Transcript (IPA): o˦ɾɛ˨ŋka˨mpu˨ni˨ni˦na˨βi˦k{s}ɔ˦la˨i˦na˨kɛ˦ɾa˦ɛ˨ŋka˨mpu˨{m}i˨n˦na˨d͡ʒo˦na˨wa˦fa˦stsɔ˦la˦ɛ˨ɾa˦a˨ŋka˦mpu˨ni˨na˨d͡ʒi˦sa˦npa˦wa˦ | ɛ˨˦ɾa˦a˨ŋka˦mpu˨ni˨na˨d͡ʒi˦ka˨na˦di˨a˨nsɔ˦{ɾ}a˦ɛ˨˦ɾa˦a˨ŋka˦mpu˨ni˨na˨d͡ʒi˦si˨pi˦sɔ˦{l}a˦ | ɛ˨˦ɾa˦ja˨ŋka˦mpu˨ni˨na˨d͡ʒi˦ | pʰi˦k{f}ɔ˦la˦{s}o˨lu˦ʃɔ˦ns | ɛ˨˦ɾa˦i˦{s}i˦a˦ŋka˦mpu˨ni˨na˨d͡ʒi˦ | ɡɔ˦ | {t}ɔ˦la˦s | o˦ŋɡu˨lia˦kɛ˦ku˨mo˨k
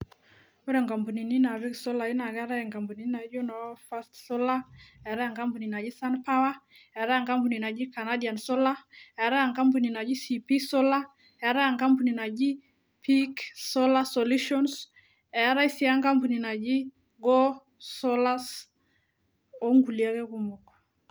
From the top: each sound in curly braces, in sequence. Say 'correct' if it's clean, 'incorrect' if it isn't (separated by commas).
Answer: correct, incorrect, incorrect, correct, incorrect, correct, correct, incorrect